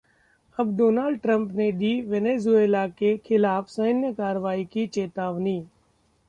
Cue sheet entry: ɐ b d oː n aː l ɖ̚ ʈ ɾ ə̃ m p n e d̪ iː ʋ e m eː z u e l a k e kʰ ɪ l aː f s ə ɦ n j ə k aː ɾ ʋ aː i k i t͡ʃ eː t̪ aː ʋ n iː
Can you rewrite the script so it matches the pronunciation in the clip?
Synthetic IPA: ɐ b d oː n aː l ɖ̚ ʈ ɾ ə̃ m p n e d̪ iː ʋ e n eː z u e l a k e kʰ ɪ l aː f s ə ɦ n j ə k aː ɾ ʋ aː i k i t͡ʃ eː t̪ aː ʋ n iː